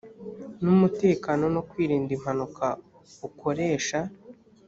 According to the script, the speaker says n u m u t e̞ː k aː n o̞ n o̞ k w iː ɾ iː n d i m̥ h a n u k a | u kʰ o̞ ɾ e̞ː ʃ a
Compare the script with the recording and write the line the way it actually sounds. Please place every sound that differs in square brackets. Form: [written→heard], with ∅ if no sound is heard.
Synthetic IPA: n u m u t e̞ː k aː n o̞ n o̞ k w iː ɾ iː n d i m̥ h a n u k a | u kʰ o̞ ɾ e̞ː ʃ a